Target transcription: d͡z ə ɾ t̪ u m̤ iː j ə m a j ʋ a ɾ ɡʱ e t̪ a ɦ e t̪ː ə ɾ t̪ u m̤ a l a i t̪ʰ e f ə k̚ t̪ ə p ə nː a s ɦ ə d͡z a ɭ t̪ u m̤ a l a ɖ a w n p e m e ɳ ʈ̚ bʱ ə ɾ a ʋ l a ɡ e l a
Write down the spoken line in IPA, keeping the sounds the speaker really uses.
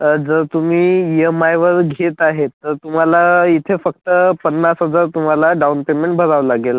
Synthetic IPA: d͡z ə ɾ t̪ u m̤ iː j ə m a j ʋ ə ɾ ɡʱ e t̪ a ɦ e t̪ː ə ɾ t̪ u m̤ a l a i t̪ʰ e f ə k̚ t̪ ə p ə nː a s ɦ ə d͡z a ɾ t̪ u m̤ a l a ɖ a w n p e m e ɳ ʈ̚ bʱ ə ɾ a ʋ l a ɡ e l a